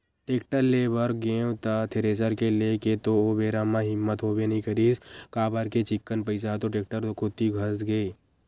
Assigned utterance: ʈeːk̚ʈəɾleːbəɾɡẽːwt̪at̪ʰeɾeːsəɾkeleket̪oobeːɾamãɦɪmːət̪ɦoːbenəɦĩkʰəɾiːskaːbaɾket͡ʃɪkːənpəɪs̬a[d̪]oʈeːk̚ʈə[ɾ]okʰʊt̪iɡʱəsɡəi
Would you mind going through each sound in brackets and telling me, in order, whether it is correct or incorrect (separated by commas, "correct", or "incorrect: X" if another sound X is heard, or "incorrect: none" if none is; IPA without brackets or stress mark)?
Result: incorrect: t̪, correct